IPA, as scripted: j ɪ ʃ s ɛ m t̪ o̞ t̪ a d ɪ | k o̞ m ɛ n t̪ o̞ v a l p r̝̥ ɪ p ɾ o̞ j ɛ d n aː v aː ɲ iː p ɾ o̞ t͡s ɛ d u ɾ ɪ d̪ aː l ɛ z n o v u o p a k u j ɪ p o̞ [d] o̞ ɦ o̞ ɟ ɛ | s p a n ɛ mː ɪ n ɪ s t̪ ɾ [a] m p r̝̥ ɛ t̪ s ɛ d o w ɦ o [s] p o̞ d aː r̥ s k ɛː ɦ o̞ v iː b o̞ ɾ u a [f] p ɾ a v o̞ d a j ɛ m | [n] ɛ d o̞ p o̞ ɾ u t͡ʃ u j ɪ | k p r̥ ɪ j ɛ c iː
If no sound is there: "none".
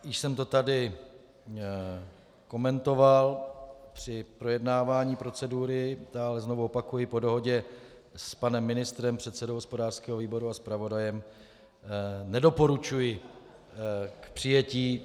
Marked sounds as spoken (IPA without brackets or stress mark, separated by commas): d, ɛ, s, s, n